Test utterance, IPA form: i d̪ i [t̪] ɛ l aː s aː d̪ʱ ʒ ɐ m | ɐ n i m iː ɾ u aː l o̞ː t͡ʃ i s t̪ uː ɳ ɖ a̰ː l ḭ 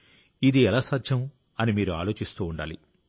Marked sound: incorrect: none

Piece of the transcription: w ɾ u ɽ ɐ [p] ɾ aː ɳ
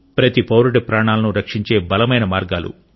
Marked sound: correct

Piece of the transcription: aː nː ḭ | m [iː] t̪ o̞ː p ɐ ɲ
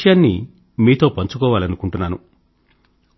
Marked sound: correct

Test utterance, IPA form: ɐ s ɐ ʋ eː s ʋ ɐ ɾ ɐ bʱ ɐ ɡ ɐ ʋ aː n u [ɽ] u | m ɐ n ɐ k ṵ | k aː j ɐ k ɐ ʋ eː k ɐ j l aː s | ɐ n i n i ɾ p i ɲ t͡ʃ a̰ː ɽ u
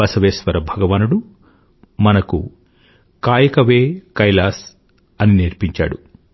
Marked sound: correct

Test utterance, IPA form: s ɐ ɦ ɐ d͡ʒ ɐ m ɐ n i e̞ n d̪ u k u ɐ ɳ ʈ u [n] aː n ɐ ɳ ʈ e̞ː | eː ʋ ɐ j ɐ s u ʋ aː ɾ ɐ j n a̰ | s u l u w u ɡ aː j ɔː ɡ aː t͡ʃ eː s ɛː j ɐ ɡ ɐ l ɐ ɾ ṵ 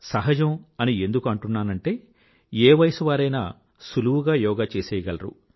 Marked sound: incorrect: nː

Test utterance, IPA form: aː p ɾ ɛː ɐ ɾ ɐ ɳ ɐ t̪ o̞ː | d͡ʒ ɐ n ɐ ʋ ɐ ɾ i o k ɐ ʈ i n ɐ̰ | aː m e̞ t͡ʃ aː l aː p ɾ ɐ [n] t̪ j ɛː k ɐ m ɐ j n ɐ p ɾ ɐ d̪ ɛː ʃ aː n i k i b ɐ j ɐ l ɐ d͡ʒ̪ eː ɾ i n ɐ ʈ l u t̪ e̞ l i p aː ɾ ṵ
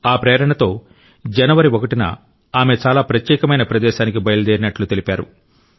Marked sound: incorrect: none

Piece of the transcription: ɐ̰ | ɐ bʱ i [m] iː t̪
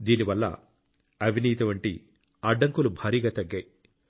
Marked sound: incorrect: n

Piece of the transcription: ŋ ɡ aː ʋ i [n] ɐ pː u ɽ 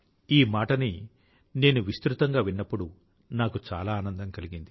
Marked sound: incorrect: nː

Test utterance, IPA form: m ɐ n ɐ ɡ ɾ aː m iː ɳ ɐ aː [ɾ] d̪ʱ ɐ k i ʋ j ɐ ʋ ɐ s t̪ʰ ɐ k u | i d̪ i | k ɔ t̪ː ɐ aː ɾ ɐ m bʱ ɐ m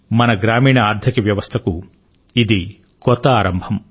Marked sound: correct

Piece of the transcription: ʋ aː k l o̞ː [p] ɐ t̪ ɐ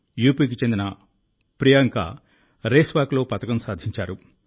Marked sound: correct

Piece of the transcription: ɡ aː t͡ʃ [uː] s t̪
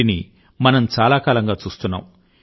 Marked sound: correct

